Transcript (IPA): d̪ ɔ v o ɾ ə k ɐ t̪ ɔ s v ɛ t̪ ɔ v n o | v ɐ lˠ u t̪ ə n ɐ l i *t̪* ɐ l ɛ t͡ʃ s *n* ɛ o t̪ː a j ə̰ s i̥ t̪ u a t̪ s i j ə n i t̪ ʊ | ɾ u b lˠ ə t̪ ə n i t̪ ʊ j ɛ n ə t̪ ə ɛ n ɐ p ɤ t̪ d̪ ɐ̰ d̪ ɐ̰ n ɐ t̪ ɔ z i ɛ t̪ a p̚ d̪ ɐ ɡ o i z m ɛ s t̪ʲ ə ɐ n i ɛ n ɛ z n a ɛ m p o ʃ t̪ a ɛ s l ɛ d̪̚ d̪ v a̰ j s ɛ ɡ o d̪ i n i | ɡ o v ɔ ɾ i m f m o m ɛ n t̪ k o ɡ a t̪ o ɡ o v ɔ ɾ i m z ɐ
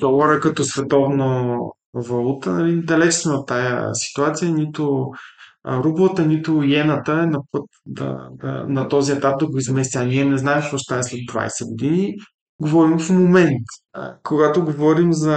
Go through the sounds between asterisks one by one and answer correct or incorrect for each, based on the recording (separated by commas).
incorrect, incorrect